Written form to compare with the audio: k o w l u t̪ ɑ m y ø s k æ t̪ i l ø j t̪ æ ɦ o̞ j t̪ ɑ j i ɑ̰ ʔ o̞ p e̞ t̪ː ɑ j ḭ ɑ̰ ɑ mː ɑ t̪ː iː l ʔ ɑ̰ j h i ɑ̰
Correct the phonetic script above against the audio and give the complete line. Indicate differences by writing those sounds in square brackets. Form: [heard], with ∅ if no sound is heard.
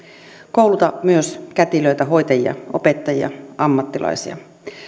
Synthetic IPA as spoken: k o w l u t̪ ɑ m y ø s k æ t̪ i l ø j t̪ æ ɦ o̞ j t̪ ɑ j i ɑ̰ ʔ o̞ p e̞ t̪ː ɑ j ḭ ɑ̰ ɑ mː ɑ t̪ː [i] l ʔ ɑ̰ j [s] i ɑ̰